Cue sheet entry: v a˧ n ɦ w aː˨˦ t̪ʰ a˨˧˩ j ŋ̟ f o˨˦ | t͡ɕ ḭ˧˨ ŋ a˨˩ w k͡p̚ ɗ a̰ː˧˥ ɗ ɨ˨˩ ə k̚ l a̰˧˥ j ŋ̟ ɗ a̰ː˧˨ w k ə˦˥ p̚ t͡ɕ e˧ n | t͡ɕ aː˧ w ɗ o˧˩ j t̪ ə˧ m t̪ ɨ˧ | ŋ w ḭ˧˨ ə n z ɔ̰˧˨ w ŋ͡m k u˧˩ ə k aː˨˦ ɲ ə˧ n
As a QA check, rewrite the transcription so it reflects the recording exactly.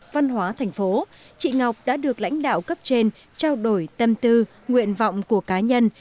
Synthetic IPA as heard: v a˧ n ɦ w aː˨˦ t̪ʰ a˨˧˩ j ŋ̟ f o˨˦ | t͡ɕ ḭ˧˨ ŋ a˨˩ w k͡p̚ ɗ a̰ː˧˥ ɗ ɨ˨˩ ə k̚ l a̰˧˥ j ŋ̟ ɗ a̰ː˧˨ w k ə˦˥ p̚ t͡ɕ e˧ n | t͡ɕ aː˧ w ɗ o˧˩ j t̪ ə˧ m t̪ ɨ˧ | ŋ w ḭ˧˨ ə n v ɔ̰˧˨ w ŋ͡m k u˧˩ ə k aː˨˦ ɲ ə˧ n